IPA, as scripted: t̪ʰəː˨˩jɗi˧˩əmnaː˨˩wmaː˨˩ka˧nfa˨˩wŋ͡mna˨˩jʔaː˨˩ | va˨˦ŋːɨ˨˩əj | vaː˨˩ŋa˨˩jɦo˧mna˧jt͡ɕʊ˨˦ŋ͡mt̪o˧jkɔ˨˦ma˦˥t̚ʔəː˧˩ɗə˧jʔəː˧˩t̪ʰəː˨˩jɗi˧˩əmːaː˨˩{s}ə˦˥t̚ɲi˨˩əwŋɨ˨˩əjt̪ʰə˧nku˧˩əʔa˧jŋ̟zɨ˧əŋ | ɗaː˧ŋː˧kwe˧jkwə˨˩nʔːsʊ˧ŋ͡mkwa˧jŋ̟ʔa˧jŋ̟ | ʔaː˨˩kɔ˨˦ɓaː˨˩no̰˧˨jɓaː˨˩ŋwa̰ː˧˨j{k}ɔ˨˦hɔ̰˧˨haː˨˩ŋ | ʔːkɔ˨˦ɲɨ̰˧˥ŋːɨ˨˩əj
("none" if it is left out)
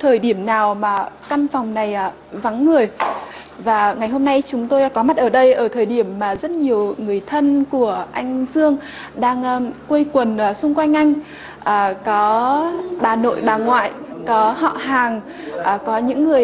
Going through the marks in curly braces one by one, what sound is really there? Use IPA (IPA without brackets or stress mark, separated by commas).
z, k